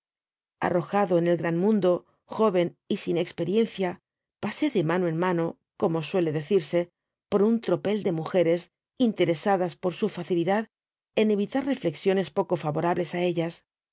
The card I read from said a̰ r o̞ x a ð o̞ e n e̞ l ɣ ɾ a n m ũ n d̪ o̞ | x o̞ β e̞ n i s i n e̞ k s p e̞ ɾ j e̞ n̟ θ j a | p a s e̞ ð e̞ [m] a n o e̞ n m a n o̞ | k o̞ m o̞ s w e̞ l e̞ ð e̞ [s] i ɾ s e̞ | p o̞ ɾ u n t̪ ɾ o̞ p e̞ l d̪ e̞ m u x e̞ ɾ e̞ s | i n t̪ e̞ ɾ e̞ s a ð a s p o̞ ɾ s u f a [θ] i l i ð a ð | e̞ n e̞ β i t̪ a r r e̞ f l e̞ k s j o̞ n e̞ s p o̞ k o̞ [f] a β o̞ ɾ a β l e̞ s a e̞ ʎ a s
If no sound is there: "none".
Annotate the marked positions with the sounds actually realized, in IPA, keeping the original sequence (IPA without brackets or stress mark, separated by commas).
m, θ, θ, f